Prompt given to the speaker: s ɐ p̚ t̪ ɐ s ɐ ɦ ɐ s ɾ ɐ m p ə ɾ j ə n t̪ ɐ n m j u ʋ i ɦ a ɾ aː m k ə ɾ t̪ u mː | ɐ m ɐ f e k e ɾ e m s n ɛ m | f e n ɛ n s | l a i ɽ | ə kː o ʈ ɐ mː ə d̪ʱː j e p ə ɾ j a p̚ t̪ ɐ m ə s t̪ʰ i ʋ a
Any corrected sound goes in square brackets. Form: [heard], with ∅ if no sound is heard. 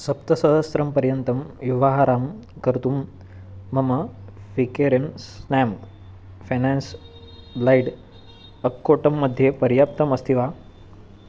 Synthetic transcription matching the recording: s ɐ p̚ t̪ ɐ s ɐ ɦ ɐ s ɾ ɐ m p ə ɾ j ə n t̪ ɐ [∅] m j u ʋ [a] ɦ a ɾ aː m k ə ɾ t̪ u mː | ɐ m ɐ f [i] k e ɾ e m s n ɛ m | f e n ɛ n s | l a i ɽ | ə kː o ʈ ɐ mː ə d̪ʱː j e p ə ɾ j a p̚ t̪ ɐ m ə s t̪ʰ i ʋ a